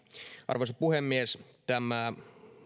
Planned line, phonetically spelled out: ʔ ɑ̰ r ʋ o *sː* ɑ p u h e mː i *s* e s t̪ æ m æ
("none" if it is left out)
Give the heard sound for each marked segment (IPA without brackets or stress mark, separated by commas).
s, none